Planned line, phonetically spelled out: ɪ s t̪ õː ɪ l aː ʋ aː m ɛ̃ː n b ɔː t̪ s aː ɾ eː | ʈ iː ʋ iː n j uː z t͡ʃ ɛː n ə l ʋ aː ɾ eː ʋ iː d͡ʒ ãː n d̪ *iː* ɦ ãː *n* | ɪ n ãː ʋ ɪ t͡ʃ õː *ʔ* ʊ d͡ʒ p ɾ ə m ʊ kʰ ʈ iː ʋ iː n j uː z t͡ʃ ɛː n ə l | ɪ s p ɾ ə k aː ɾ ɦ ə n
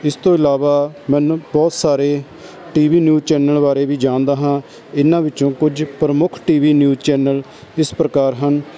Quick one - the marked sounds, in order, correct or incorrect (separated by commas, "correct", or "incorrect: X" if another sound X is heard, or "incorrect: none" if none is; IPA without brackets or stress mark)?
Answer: incorrect: aː, incorrect: none, incorrect: k